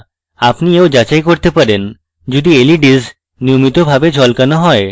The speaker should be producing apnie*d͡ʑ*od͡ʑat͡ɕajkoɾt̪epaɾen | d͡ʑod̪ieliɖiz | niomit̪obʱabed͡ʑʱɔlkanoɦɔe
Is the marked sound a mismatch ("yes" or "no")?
yes